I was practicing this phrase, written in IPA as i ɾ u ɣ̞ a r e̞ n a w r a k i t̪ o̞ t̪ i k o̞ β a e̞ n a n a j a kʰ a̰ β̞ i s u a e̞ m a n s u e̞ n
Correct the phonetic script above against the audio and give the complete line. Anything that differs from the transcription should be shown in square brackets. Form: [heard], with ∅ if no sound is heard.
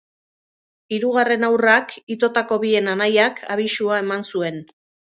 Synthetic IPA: i ɾ u ɣ̞ a r e̞ n a w r a k i t̪ o̞ t̪ [a] k o̞ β [i] e̞ n a n a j a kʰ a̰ β̞ i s u a e̞ m a n s u e̞ n